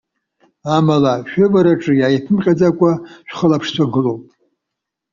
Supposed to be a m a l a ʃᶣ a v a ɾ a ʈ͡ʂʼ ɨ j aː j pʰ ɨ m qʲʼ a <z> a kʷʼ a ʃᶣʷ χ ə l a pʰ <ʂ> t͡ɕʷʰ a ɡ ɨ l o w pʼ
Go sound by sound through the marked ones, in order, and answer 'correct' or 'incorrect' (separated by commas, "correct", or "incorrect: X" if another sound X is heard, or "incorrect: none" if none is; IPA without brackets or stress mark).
incorrect: d͡z, correct